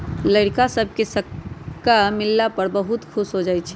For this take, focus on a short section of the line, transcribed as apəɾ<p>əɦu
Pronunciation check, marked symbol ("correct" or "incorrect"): incorrect